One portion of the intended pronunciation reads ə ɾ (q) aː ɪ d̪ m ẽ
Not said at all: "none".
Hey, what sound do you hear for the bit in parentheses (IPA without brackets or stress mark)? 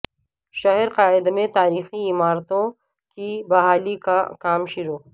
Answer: q